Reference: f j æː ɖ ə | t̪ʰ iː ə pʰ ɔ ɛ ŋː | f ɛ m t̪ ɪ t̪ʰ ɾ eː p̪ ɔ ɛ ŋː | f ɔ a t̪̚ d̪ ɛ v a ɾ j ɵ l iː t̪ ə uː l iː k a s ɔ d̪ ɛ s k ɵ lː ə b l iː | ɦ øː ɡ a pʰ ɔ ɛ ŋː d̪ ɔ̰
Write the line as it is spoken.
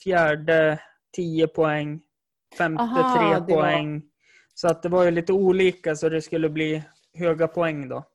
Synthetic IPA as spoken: f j æː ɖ ə | t̪ʰ iː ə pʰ ɔ ɛ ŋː | f ɛ m t̪ ɪ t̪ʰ ɾ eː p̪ ɔ ɛ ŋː | s ɔ a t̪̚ d̪ ɛ v a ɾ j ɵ l iː t̪ ə uː l iː k a s ɔ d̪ ɛ s k ɵ lː ə b l iː | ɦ øː ɡ a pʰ ɔ ɛ ŋː d̪ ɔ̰